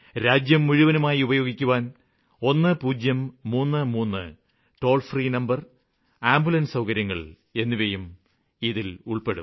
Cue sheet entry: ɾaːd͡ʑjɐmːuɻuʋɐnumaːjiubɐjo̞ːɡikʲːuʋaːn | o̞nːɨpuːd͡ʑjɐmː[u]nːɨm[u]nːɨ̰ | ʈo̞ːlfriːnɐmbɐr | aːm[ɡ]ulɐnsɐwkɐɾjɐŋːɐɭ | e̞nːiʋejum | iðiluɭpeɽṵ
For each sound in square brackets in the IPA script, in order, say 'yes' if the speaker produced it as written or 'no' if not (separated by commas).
no, no, no